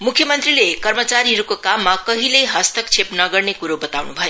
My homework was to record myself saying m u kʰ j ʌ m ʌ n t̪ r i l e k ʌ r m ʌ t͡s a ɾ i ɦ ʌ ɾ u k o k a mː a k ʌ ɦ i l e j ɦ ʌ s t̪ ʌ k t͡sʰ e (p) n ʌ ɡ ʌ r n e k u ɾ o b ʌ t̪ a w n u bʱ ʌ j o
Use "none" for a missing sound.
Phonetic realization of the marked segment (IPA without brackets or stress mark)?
p